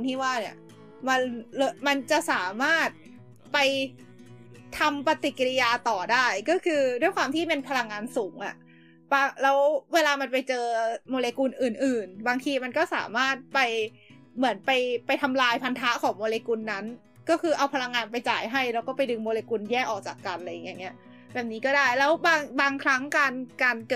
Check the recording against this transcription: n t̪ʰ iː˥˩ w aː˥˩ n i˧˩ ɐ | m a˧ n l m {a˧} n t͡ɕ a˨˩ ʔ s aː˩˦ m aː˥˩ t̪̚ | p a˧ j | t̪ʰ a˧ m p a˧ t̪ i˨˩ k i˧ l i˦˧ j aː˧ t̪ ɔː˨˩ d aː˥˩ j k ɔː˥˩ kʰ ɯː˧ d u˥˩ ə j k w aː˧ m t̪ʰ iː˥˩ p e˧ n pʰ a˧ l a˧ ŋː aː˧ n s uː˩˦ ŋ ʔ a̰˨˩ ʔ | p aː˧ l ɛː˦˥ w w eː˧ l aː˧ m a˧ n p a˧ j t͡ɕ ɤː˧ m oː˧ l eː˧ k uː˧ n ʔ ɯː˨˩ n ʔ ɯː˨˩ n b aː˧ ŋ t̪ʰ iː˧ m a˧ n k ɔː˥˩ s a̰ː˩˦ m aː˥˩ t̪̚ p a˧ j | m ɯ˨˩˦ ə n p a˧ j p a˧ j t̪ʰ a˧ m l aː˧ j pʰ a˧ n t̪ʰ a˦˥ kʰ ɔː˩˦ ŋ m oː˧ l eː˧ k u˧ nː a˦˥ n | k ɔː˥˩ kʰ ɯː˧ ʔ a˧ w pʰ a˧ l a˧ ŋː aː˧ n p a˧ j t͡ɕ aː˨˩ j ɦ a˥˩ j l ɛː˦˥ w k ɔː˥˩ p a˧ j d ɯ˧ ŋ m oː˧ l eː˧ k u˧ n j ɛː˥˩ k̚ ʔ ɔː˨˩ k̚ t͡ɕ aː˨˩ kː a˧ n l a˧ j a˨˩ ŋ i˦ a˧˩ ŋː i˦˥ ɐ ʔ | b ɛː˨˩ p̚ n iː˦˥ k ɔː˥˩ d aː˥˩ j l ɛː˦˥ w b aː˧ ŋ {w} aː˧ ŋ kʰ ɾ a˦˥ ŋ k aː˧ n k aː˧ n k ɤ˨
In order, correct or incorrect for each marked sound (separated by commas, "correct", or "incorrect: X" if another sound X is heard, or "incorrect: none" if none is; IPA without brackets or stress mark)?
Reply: correct, incorrect: b